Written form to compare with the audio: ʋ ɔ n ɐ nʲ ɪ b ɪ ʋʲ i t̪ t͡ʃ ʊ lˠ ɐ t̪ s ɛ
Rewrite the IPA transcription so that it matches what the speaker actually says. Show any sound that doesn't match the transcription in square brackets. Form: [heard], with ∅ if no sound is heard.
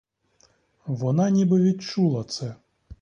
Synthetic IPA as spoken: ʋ ɔ n [ɑ] nʲ [i] b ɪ ʋʲ i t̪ t͡ʃ [u] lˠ ɐ t̪ s ɛ